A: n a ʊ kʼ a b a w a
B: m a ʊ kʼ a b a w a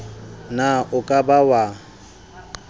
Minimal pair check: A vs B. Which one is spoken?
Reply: A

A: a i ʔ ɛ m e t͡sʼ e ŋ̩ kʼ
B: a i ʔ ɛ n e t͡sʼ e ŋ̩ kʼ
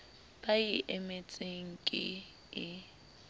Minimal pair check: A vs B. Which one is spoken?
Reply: A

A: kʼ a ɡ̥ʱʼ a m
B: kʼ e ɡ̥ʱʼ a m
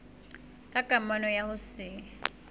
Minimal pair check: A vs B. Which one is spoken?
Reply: A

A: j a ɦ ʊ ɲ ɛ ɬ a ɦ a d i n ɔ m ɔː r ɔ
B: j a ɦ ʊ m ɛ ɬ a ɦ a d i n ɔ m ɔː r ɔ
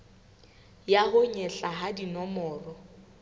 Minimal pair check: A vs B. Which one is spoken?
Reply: A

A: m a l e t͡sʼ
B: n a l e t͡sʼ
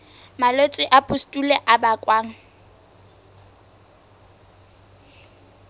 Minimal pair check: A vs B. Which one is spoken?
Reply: A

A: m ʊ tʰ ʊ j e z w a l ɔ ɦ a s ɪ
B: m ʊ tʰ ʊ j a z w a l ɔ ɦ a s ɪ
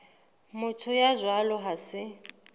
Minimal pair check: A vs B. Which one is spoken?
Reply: B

